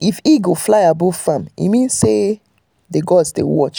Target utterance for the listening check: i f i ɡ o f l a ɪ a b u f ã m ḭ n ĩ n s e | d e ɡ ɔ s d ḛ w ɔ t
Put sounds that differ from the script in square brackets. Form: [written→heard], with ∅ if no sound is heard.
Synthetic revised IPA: i f i ɡ o f l a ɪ a b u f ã m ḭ [n→m] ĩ n s e | d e ɡ ɔ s d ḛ w ɔ [t→t͡ʃ]